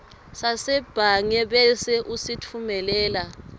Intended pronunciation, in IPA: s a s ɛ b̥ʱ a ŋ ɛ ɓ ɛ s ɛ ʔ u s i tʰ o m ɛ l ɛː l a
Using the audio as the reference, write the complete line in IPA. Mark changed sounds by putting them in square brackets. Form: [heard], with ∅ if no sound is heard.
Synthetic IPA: s a s ɛ b̥ʱ a ŋ ɛ ɓ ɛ s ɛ ʔ u s i tʰ [u] m ɛ l ɛː l a